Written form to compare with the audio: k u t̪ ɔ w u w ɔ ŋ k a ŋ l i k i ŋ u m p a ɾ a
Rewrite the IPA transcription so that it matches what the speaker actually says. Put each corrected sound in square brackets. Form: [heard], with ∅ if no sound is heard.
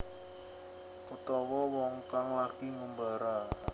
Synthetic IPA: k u t̪ ɔ w [ɔ] w ɔ ŋ k a ŋ l [a] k i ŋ u m [b] a ɾ a